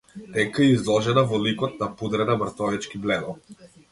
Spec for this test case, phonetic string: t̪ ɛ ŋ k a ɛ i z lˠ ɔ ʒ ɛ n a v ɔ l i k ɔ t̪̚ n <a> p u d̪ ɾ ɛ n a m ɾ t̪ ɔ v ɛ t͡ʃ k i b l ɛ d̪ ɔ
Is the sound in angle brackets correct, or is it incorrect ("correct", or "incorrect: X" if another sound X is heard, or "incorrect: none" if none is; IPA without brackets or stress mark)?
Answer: correct